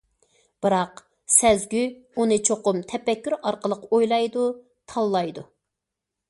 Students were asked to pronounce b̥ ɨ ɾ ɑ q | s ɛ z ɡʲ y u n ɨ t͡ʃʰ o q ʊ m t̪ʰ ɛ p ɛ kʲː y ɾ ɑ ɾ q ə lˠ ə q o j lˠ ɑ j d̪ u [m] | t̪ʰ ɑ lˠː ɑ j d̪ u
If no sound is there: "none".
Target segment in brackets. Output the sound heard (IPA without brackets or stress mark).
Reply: none